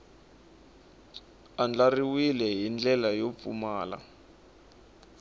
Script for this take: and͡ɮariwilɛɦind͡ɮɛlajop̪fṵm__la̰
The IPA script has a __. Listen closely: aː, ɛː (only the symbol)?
aː